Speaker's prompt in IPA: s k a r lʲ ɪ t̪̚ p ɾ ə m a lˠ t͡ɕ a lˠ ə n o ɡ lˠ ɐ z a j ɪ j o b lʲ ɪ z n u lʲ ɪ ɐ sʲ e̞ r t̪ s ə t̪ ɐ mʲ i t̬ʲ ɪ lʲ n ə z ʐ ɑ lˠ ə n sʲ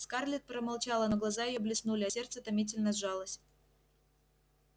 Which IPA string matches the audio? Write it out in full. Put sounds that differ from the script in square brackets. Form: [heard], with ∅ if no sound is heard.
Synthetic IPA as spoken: s k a r lʲ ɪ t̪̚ p ɾ ə m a lˠ t͡ɕ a lˠ ə n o ɡ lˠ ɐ z a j ɪ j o b lʲ ɪ [s] n u lʲ ɪ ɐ sʲ e̞ r t̪ s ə t̪ ɐ mʲ i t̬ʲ ɪ lʲ n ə z ʐ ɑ lˠ ə [∅] sʲ